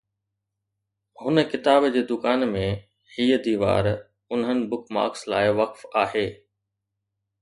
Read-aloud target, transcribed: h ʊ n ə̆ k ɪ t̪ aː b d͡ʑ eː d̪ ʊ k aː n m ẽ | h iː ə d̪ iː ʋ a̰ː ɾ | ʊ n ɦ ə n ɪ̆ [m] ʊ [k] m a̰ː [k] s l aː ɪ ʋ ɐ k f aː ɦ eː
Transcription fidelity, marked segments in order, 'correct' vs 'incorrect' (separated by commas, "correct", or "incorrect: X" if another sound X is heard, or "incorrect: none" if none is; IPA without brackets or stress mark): incorrect: b, correct, correct